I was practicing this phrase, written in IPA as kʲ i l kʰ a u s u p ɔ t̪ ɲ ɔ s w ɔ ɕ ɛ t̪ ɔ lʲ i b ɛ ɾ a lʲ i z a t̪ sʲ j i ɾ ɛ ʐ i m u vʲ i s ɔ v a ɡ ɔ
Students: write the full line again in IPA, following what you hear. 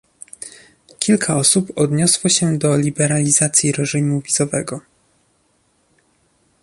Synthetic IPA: kʲ i l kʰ a ɔ s u p ɔ d̪ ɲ ɔ s w ɔ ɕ ɛ d̪ ɔ lʲ i b ɛ ɾ a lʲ i z a t̪ sʲ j i ɾ ɛ ʐ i m u vʲ i z ɔ v ɛ ɡ ɔ